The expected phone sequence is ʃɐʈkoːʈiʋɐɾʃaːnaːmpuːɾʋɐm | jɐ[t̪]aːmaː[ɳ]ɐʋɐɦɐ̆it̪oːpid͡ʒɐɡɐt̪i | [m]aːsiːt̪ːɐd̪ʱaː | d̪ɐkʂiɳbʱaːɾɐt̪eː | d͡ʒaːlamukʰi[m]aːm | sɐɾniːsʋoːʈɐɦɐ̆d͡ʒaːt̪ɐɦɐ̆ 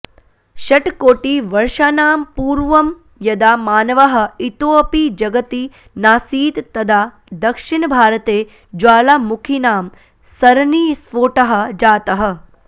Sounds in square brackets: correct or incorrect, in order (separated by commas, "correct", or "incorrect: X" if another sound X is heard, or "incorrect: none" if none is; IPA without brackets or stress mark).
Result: incorrect: d̪, incorrect: n, incorrect: n, incorrect: n